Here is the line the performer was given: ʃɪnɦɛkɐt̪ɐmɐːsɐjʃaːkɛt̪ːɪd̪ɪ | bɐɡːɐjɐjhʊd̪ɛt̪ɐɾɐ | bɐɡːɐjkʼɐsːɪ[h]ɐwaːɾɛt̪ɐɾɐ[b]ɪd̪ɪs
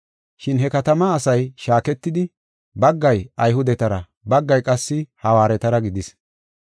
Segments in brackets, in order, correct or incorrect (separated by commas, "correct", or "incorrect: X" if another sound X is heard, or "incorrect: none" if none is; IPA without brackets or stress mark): correct, incorrect: ɡ